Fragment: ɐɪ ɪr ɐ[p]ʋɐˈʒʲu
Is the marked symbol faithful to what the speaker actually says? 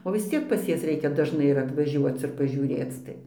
no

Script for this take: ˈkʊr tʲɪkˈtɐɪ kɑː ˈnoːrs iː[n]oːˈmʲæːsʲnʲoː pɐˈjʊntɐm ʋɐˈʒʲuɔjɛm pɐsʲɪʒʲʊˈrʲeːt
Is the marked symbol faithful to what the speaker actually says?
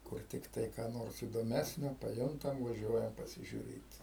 no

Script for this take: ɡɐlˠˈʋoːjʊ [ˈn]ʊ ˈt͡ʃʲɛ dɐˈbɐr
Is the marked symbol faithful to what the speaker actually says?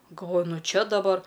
yes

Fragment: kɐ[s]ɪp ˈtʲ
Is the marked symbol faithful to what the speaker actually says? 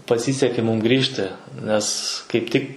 no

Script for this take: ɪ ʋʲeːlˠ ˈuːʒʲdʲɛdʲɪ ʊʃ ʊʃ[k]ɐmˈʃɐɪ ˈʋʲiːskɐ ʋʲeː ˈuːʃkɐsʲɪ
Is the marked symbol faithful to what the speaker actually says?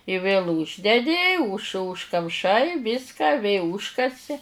yes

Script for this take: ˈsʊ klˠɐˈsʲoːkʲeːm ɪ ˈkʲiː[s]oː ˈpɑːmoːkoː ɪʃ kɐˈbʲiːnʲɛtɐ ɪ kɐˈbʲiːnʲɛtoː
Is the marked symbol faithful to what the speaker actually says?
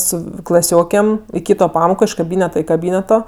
no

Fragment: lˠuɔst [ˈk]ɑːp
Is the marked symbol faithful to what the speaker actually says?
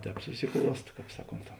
yes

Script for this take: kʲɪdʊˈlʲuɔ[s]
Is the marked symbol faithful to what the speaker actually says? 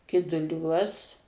yes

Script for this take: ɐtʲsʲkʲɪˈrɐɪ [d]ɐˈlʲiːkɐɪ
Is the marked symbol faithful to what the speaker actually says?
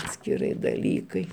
yes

